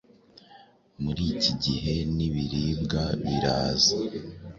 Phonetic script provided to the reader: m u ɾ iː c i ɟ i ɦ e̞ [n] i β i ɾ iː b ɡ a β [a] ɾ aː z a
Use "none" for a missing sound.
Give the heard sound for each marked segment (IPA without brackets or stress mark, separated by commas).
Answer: n, i